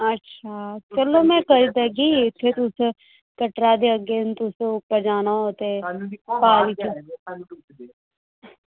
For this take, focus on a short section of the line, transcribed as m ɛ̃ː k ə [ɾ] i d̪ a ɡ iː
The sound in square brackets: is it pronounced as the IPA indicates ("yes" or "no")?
yes